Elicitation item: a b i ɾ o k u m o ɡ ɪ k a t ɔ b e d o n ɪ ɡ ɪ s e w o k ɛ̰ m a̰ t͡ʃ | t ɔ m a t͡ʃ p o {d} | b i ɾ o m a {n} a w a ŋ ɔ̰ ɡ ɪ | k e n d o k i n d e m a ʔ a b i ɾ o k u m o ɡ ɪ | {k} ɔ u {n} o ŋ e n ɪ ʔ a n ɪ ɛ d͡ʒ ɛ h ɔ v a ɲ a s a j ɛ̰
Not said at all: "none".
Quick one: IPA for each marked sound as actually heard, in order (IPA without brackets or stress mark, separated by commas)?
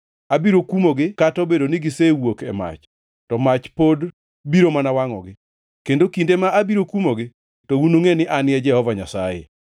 d, n, t, n